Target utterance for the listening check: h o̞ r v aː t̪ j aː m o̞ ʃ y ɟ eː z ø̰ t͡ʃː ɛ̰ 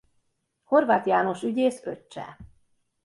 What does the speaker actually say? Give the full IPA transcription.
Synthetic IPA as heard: h o̞ r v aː t̪ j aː n o̞ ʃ y ɟ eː s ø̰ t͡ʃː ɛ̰